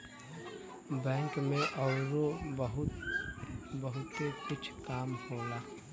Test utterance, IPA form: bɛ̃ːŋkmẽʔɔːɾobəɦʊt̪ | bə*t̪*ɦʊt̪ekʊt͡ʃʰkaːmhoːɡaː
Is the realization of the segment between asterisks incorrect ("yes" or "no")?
yes